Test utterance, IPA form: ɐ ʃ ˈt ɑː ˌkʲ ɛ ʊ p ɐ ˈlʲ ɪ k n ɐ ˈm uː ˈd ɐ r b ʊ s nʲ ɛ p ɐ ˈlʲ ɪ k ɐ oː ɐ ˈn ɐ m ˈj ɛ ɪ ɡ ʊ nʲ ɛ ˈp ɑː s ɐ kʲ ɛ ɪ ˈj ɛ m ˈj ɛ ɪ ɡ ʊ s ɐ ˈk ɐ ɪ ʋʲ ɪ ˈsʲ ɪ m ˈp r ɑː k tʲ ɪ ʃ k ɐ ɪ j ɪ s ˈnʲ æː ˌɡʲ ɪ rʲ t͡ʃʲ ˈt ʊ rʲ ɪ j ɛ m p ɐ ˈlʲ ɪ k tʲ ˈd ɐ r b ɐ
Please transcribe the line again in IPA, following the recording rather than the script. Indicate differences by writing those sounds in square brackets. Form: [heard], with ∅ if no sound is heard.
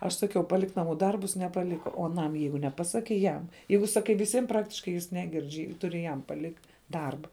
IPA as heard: ɐ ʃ [ˈs] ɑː ˌkʲ ɛ ʊ p ɐ ˈlʲ ɪ k n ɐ ˈm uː ˈd ɐ r b ʊ s nʲ ɛ p ɐ ˈlʲ ɪ k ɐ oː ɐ ˈn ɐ m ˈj ɛ ɪ ɡ ʊ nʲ ɛ ˈp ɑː s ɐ kʲ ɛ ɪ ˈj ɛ m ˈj ɛ ɪ ɡ ʊ s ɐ ˈk ɐ ɪ ʋʲ ɪ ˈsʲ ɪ m ˈp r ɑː k tʲ ɪ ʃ k ɐ ɪ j ɪ s ˈnʲ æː ˌɡʲ ɪ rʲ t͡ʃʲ ˈt ʊ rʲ ɪ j ɛ m p ɐ ˈlʲ ɪ k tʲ ˈd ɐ r b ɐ